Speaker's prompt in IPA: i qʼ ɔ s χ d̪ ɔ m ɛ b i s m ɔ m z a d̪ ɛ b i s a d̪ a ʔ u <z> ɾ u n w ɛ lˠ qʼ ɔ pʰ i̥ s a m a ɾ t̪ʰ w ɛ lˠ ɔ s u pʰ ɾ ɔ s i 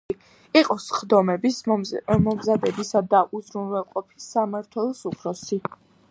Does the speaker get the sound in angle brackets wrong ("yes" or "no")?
no